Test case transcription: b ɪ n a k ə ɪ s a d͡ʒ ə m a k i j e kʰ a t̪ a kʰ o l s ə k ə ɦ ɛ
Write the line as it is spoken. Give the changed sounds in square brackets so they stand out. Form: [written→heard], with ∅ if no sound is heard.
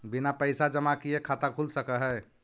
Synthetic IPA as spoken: b [ɪ→i] n a [k→p] ə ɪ s a d͡ʒ ə m a k i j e kʰ a t̪ a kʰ [o→u] l s ə k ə ɦ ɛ